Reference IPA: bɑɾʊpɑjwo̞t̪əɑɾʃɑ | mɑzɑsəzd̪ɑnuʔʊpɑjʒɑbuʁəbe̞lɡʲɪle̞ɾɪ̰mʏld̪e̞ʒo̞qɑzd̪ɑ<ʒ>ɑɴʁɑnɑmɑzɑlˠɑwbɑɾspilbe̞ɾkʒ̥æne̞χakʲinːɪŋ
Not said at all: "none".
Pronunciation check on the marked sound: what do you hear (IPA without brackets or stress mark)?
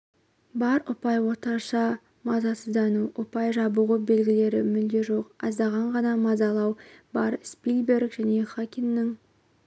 ʁ